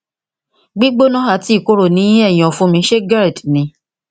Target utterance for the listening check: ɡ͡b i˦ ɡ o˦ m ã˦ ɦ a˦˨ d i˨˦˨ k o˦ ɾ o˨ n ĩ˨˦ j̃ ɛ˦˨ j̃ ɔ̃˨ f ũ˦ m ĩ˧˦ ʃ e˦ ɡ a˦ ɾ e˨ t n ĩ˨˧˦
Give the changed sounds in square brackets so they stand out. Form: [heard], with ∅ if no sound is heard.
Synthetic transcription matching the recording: ɡ͡b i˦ [ɡ͡b] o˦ [n] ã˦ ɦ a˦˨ [t] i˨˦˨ k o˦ ɾ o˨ n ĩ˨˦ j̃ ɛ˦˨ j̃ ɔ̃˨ f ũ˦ m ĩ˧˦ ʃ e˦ ɡ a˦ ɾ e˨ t n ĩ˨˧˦